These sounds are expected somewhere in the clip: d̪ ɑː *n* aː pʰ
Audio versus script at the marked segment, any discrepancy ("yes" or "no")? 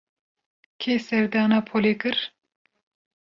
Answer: no